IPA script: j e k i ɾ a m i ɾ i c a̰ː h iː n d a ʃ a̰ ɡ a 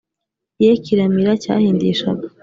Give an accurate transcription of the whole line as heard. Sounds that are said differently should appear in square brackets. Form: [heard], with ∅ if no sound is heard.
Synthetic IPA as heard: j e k i ɾ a m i ɾ [a] c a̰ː h iː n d [i] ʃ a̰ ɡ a